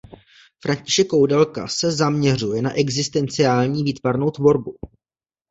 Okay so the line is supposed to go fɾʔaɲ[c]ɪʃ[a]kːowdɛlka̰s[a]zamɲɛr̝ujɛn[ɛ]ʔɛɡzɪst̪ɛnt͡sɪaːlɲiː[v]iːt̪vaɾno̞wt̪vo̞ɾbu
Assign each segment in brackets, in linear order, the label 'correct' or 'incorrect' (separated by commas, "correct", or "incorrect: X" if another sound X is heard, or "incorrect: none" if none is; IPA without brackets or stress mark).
correct, incorrect: ɛ, incorrect: ɛ, incorrect: a, correct